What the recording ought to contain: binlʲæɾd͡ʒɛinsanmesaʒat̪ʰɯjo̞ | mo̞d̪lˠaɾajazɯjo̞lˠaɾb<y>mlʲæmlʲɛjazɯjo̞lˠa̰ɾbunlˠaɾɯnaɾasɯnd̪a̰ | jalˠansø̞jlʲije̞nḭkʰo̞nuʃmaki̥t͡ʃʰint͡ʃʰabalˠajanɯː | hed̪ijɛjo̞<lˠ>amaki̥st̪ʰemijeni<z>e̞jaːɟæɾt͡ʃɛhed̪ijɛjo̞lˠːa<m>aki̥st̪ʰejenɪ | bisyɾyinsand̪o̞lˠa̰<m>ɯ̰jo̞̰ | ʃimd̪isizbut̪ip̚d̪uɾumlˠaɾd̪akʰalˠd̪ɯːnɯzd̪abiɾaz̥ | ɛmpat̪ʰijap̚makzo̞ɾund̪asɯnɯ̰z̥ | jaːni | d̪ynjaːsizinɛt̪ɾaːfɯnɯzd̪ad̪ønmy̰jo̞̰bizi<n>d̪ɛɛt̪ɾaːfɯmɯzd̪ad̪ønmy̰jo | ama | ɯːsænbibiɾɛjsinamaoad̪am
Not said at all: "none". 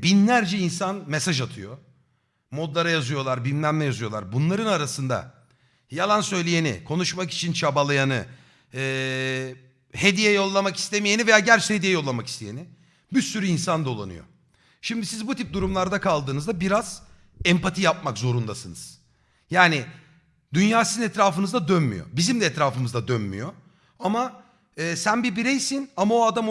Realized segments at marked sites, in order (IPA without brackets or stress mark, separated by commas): i, lˠː, v, m, n, m